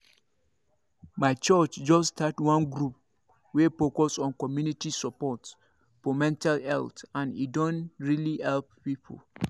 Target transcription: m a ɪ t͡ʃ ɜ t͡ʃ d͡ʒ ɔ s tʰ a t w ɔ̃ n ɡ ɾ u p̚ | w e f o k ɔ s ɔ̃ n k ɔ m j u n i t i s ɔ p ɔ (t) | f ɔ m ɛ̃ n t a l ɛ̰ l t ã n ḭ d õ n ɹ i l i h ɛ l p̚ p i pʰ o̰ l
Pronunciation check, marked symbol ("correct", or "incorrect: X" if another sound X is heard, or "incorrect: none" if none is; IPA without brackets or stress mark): correct